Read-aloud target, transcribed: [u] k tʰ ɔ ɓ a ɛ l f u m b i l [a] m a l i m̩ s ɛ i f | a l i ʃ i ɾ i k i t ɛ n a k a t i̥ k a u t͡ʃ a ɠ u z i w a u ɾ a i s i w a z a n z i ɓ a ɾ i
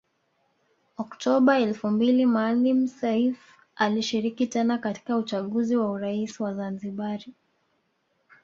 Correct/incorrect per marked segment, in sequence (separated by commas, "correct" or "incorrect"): incorrect, incorrect